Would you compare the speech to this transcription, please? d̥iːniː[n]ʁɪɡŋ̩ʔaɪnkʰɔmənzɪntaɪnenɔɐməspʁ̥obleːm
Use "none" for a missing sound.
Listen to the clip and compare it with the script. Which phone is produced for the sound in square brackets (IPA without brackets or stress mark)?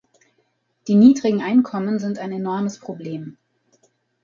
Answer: d